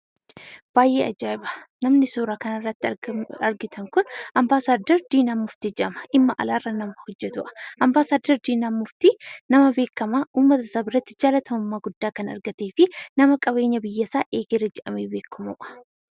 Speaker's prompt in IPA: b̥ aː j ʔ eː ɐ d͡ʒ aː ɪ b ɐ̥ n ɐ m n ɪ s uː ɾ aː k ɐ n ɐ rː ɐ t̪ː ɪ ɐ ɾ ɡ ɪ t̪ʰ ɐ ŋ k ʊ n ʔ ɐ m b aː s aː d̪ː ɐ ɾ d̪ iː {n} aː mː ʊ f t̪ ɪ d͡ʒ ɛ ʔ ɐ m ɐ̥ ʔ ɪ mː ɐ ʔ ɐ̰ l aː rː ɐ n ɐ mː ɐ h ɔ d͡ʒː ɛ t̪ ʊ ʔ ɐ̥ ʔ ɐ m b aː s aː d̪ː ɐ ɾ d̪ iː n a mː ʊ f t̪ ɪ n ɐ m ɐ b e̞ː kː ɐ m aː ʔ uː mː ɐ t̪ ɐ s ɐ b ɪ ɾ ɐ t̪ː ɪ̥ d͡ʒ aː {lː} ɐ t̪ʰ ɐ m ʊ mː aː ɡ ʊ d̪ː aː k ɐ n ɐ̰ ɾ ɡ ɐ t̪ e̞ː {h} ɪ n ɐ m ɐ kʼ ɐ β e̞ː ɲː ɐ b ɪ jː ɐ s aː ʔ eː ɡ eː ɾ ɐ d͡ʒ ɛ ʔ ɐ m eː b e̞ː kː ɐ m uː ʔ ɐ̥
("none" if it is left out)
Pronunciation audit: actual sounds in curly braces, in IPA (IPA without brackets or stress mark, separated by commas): n, l, f